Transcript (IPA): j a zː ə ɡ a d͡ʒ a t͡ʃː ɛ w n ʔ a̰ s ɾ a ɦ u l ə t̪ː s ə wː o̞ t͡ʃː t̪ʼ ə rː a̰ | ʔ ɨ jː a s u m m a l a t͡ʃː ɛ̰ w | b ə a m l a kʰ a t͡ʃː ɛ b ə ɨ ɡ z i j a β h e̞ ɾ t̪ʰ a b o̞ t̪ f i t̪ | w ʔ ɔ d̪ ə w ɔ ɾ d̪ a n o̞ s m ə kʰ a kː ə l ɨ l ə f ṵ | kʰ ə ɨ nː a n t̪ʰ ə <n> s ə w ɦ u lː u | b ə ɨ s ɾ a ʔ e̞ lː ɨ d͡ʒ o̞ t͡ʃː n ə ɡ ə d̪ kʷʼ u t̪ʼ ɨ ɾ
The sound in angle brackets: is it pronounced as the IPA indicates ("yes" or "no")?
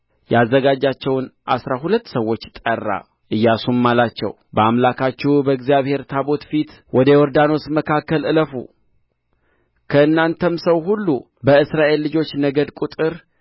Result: no